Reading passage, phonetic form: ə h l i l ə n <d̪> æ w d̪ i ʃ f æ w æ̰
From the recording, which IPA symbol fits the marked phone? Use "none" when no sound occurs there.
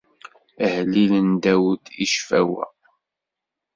d̪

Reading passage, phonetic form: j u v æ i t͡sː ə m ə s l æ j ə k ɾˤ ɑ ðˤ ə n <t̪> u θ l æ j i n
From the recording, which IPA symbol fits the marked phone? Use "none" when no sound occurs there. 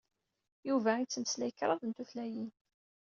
t̪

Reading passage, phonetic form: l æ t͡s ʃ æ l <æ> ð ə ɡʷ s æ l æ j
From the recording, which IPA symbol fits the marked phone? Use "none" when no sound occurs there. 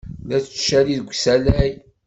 i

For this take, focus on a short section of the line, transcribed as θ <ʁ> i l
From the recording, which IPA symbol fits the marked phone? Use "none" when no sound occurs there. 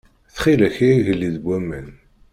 χ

